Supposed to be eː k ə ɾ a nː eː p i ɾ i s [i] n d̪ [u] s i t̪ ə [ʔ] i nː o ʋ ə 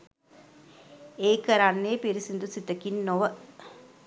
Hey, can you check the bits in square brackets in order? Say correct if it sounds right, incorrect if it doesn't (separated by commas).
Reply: correct, correct, incorrect